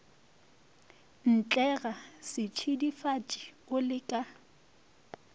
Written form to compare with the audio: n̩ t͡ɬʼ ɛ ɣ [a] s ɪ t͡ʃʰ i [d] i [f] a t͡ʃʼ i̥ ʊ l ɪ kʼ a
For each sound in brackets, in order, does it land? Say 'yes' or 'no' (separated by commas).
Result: yes, yes, yes